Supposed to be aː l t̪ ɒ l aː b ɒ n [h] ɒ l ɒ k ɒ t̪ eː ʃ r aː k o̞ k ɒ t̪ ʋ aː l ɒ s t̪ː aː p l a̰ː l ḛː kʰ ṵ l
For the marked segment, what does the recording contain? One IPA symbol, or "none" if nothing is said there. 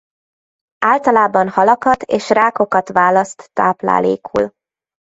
h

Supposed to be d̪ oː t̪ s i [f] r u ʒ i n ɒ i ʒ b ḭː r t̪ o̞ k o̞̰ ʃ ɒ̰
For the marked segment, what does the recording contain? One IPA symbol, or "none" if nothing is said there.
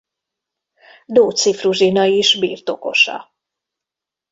f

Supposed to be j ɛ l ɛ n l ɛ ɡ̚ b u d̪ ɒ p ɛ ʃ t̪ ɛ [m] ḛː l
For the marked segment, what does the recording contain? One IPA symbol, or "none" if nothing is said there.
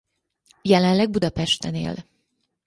n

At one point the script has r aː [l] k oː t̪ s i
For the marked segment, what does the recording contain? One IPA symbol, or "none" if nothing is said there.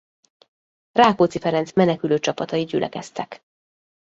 none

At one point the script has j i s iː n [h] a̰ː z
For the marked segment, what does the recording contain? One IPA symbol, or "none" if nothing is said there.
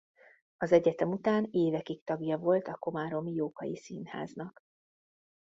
h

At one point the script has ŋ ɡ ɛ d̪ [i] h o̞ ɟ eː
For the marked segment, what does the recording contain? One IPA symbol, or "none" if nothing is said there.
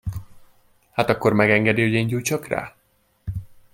i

